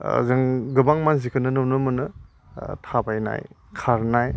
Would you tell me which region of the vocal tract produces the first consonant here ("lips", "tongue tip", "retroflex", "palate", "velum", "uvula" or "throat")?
tongue tip